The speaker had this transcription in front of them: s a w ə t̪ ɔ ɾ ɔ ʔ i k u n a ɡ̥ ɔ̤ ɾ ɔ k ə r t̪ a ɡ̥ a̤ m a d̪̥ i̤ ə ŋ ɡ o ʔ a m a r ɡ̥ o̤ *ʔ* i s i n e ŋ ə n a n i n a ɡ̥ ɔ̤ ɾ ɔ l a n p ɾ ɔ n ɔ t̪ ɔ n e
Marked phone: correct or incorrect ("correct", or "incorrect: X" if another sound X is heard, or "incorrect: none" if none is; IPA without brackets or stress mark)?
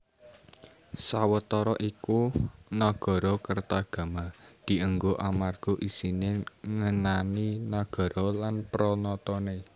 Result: correct